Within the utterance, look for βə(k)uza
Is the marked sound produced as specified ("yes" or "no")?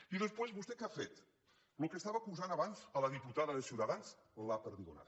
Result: yes